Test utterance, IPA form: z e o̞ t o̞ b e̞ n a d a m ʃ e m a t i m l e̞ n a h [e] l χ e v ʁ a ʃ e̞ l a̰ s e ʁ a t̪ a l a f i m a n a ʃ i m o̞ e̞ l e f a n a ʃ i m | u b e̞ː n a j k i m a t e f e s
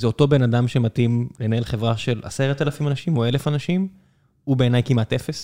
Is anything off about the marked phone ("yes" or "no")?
no